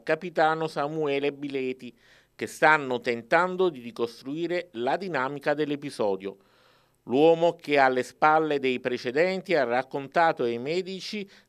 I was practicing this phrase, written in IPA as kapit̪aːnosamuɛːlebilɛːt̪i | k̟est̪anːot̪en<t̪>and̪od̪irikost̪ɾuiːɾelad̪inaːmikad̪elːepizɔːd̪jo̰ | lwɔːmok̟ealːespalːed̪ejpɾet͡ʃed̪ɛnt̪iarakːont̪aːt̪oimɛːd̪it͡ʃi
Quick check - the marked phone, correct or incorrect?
correct